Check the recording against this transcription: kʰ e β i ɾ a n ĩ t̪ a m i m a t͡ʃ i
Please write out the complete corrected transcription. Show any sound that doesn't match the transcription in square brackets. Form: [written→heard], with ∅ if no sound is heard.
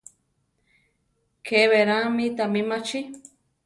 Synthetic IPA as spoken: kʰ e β [i→e] ɾ a [n→m] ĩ t̪ a m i m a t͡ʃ i